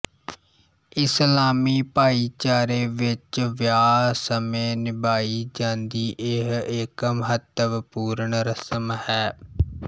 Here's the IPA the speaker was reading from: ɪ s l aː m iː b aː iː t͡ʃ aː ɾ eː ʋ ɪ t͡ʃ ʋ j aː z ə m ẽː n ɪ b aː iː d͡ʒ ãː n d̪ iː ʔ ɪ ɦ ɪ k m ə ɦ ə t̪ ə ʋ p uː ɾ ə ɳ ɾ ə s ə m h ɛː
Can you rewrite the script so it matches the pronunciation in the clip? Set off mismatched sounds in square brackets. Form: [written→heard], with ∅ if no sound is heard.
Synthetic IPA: ɪ s l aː m iː [b→p] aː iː t͡ʃ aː ɾ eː ʋ ɪ t͡ʃ ʋ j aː [z→s] ə m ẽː n ɪ b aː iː d͡ʒ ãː n d̪ iː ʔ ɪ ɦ ɪ k m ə ɦ ə t̪ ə ʋ p uː ɾ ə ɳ ɾ ə s ə m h ɛː